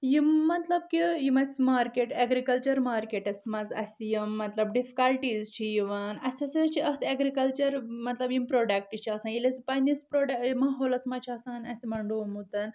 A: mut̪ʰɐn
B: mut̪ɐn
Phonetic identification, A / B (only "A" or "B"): B